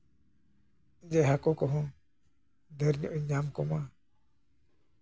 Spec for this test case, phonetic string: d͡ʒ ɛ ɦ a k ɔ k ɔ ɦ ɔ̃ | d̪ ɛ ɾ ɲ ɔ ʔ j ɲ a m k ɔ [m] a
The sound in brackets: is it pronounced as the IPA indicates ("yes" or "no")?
yes